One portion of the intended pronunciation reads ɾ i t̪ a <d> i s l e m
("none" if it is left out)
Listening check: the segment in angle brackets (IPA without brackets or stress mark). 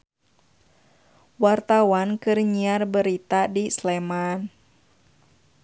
d